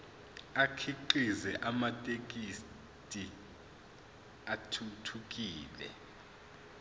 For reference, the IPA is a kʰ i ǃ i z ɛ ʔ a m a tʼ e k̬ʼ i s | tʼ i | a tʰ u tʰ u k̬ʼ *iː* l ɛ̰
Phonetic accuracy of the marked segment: correct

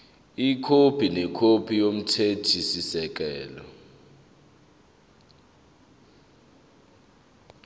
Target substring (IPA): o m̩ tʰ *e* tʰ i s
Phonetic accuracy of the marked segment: correct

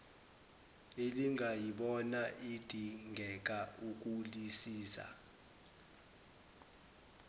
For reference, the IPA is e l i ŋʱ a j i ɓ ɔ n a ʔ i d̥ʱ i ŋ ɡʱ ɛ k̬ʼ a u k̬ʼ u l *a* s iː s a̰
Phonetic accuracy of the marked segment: incorrect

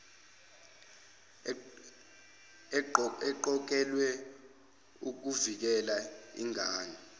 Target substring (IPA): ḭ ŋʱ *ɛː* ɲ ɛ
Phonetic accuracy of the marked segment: incorrect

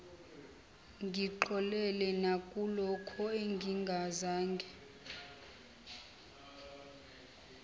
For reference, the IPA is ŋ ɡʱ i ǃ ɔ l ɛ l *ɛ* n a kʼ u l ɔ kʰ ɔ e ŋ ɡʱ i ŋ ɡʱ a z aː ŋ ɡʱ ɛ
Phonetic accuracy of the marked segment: correct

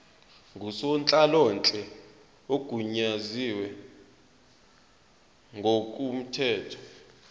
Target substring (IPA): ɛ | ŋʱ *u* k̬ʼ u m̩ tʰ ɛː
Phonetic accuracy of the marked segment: incorrect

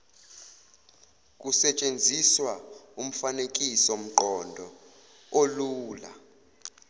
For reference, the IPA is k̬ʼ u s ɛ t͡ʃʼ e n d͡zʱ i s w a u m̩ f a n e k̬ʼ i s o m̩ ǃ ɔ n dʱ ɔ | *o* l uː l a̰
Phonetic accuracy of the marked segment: correct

